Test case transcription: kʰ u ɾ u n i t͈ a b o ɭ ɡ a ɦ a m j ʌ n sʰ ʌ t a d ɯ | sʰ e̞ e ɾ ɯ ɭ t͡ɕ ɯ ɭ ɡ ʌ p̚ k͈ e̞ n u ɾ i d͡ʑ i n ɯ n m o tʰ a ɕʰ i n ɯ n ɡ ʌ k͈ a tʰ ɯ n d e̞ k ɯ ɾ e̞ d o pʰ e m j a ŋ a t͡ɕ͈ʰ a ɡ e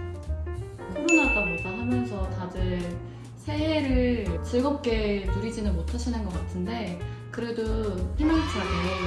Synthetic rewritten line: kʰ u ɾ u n a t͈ a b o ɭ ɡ a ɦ a m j ʌ n sʰ ʌ t a d ɯ | sʰ e̞ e ɾ ɯ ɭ t͡ɕ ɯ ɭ ɡ ʌ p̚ k͈ e̞ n u ɾ i d͡ʑ i n ɯ n m o tʰ a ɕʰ i n ɯ n ɡ ʌ k͈ a tʰ ɯ n d e̞ k ɯ ɾ e̞ d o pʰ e m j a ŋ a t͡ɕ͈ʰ a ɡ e